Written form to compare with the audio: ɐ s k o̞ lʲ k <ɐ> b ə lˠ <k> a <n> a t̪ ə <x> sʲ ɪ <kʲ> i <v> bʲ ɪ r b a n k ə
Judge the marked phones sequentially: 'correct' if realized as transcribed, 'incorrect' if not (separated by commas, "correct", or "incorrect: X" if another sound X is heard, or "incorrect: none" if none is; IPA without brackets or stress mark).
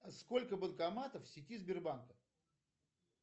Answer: incorrect: ə, correct, incorrect: m, incorrect: f, incorrect: tʲ, incorrect: z